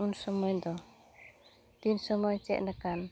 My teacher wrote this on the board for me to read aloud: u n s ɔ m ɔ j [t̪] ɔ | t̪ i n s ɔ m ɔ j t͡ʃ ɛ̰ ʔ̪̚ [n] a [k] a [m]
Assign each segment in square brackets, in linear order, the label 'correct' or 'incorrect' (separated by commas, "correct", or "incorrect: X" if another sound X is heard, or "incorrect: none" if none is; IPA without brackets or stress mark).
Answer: incorrect: d̪, correct, correct, incorrect: n